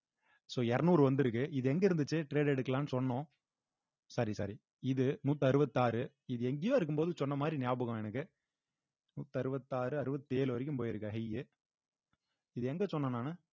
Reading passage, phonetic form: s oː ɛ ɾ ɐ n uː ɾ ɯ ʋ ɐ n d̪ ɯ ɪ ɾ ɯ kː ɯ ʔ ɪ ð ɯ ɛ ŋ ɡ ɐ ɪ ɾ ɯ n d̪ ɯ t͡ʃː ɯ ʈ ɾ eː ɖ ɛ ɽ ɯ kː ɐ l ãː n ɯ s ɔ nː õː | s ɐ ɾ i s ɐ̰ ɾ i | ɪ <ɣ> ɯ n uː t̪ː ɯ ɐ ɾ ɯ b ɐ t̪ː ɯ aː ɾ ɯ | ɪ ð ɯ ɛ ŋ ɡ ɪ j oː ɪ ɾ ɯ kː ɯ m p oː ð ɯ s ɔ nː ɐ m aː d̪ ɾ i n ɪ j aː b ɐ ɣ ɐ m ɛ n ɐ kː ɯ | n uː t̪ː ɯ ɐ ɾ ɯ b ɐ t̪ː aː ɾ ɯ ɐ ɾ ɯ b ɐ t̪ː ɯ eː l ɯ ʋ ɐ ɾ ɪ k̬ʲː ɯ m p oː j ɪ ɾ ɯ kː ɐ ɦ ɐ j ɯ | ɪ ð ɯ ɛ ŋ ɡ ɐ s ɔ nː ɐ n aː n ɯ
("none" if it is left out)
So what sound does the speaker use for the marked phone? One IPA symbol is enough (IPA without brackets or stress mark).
ð